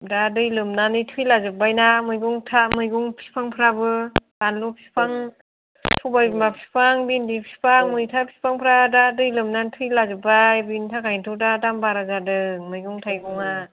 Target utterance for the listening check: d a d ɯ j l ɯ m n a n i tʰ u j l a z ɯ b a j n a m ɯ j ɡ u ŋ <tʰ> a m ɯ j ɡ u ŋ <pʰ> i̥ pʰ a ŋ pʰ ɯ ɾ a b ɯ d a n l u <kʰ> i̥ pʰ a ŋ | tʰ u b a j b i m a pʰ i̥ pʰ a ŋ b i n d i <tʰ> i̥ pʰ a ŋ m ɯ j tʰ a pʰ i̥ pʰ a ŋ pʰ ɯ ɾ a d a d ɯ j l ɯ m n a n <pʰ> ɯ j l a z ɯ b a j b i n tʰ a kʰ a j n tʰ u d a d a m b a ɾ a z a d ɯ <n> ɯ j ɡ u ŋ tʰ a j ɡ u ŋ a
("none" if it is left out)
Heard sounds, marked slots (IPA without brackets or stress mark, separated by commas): tʰ, pʰ, pʰ, pʰ, tʰ, m